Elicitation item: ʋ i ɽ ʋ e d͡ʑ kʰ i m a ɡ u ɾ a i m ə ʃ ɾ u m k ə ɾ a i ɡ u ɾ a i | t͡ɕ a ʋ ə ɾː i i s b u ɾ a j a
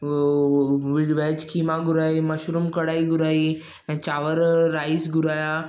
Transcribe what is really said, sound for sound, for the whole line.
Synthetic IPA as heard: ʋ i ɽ ʋ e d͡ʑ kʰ i m a ɡ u ɾ a i m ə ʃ ɾ u m k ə ɽ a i ɡ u ɾ a i | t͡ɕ a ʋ ə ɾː a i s ɡ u ɾ a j a

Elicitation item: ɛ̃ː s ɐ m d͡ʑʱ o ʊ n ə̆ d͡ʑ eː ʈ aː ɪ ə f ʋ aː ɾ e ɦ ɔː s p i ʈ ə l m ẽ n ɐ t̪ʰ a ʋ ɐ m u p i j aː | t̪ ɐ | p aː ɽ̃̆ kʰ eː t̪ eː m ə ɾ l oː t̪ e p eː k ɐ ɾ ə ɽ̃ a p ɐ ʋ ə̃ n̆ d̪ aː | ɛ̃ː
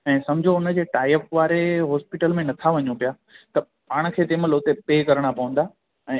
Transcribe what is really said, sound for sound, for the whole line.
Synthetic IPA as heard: ɛ̃ː s ɐ m d͡ʑʱ o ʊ n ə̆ d͡ʑ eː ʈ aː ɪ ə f ʋ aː ɾ e ɦ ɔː s p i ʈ ə l m ẽ n ɐ t̪ʰ a ʋ ɐ ɲ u p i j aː | t̪ ɐ | p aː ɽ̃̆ kʰ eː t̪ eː m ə l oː t̪ e p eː k ɐ ɾ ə ɽ̃ a p ɐ ʋ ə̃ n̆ d̪ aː | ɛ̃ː

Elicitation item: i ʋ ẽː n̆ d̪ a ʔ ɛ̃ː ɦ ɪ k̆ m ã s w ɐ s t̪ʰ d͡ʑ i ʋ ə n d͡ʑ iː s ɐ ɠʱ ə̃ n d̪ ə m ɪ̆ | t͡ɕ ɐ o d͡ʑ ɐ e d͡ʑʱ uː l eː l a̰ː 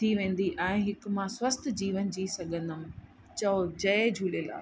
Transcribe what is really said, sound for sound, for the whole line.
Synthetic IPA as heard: i ʋ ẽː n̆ d̪ i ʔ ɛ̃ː ɦ ɪ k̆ m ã s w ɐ s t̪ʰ d͡ʑ iː ʋ ə n d͡ʑ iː s ɐ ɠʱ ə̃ n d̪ ə m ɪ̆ | t͡ɕ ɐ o d͡ʑ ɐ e d͡ʑʱ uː l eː l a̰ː

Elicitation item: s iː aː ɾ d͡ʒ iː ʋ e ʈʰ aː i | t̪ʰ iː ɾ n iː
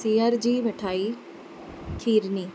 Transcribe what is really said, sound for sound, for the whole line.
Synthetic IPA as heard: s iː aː ɾ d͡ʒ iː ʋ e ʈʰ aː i | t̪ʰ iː ɾ n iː

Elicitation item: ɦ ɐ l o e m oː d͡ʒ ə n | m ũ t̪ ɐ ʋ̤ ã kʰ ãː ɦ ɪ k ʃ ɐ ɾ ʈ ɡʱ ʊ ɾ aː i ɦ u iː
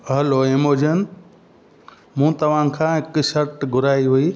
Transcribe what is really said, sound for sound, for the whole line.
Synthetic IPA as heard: ɦ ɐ l o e m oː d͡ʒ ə n | m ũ t̪ ɐ ʋ̤ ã kʰ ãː ɦ ɪ k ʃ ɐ ɾ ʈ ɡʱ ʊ ɾ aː i ɦ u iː

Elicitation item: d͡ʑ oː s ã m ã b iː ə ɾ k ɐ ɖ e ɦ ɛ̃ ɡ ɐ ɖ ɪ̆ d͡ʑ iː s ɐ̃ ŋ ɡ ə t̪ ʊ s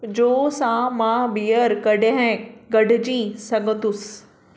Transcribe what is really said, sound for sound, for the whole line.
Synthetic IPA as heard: d͡ʑ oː s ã m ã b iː ə ɾ k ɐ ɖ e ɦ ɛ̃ ɡ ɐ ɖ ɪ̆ d͡ʑ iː s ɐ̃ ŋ ɡ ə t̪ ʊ s

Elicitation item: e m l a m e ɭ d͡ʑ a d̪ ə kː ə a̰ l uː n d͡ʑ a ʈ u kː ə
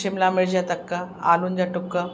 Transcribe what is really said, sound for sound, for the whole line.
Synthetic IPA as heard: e m l a m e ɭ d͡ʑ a t̪ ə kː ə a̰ l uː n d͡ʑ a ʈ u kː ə

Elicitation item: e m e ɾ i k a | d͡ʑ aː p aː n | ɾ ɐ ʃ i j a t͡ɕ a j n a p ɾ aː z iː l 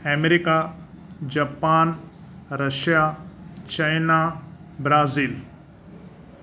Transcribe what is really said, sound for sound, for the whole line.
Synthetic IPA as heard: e m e ɾ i k a | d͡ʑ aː p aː n | ɾ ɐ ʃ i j a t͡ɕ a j n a b ɾ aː z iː l

